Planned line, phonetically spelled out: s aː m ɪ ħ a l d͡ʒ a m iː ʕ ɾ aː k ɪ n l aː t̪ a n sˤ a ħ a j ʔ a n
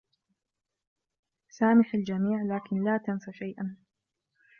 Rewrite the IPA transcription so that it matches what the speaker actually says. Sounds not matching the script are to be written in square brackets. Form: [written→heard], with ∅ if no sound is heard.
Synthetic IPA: s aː m ɪ ħ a l d͡ʒ a m iː ʕ [ɾ→l] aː k ɪ n l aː t̪ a n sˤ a [ħ→ʃ] a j ʔ a n